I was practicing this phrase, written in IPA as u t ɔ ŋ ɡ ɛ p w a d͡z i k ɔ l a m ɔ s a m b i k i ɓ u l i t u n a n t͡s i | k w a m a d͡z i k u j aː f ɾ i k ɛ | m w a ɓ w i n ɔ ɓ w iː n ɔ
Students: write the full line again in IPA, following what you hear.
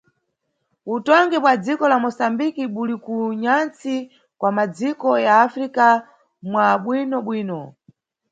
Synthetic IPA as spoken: u t ɔ ŋ ɡ ɛ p w a d͡z i k ɔ l a m ɔ s a m b i k i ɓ u l i k u ɲ a n t͡s i | k w a m a d͡z i k ɔ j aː f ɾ i k a | m w a ɓ w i n ɔ ɓ w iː n ɔ